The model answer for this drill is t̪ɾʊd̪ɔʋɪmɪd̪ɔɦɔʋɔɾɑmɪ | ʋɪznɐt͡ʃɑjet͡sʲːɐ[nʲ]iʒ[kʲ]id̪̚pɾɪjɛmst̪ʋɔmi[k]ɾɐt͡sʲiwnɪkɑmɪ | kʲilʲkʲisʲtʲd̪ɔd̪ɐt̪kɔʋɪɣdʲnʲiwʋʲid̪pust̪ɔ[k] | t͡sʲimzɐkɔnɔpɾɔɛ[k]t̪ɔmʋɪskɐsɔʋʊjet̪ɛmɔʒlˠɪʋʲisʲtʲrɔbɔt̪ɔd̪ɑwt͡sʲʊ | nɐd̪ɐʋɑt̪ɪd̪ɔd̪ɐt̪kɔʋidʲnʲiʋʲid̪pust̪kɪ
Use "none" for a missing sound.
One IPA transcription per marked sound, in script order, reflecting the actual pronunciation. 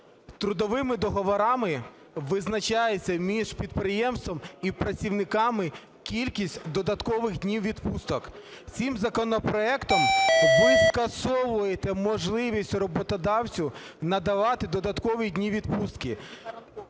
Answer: mʲ, pʲ, p, k, k

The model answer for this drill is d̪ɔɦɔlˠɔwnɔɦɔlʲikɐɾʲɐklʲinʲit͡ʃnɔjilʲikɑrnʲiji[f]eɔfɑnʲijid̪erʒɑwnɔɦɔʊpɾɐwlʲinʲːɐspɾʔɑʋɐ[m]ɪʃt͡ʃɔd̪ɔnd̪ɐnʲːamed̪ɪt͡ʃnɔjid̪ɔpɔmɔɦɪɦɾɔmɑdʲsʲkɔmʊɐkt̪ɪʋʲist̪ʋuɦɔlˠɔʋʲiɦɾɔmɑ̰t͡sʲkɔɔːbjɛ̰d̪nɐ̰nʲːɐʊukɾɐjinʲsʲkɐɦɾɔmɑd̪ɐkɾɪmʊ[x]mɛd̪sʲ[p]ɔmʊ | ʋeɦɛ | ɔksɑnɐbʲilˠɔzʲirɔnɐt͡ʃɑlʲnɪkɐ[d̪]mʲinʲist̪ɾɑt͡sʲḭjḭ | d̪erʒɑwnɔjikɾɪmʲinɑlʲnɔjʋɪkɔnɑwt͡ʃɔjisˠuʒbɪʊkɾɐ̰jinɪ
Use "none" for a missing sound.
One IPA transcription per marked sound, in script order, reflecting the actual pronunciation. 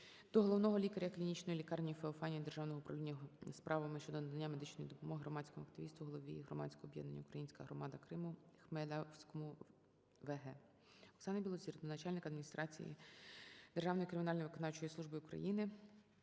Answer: f, m, x, k, d̪

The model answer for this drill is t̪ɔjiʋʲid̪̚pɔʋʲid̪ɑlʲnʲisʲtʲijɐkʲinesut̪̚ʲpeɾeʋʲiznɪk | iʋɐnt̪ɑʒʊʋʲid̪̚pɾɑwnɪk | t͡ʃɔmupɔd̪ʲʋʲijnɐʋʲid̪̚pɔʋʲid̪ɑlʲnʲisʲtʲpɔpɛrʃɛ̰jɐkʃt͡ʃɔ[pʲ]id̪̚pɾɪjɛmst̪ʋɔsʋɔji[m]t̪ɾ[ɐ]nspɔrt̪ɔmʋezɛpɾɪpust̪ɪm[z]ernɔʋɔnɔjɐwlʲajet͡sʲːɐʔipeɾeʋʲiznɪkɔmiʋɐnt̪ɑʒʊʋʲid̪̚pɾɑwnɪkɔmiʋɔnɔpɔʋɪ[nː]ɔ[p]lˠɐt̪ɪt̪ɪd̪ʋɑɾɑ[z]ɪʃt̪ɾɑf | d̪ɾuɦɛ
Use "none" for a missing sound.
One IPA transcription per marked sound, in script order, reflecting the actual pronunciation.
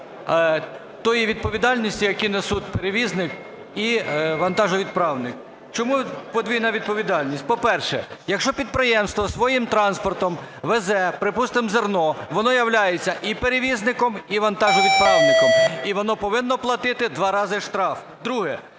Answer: pʲ, m, ɑ, z, nː, p, z

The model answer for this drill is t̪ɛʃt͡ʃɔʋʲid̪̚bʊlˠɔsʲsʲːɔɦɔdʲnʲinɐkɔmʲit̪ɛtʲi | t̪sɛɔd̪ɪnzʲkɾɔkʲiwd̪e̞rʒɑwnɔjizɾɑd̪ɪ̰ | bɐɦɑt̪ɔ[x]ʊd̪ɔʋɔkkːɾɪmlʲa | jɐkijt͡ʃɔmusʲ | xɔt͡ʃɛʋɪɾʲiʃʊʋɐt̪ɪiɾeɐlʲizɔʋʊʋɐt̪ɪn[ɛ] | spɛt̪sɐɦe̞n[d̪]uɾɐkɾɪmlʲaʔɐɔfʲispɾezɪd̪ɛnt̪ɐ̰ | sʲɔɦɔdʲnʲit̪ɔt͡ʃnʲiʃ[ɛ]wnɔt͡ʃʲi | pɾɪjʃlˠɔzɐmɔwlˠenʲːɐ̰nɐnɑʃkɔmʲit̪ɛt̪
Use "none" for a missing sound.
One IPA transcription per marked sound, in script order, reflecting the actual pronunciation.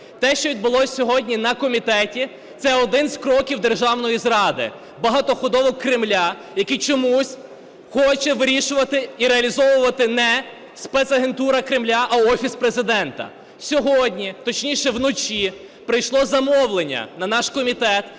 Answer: x, ɛ, t̪, ɛ

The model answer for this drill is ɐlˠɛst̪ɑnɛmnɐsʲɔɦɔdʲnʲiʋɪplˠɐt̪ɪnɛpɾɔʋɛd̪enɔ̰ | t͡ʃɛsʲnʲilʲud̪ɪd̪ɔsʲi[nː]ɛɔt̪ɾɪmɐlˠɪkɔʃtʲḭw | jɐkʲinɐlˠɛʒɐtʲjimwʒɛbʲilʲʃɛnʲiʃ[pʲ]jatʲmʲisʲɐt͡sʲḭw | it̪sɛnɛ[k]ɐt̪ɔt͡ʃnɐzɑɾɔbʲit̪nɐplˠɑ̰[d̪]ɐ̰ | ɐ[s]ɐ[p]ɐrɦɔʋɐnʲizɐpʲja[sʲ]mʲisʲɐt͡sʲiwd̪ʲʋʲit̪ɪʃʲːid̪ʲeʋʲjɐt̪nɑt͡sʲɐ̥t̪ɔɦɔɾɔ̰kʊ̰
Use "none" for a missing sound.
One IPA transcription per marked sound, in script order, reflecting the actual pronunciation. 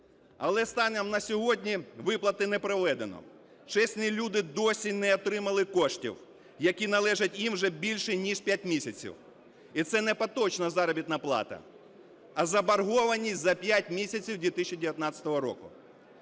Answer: n, pʲ, p, t̪, z, b, tʲ

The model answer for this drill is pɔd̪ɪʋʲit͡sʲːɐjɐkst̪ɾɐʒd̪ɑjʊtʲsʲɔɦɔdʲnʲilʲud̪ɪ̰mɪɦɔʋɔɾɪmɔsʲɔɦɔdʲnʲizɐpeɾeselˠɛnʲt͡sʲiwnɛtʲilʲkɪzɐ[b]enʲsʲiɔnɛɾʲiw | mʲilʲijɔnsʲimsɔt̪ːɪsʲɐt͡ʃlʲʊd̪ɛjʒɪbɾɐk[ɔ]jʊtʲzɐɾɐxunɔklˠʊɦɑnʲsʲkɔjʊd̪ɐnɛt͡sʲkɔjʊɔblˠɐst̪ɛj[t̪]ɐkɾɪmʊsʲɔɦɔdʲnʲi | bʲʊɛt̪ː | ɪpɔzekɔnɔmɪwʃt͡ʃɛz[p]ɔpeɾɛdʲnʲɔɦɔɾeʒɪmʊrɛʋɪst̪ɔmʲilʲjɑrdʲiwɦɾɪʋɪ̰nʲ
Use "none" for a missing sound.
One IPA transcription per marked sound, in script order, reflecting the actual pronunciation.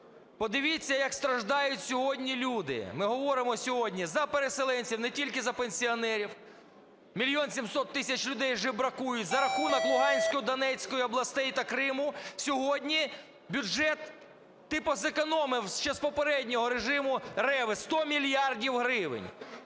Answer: p, u, t̪, p

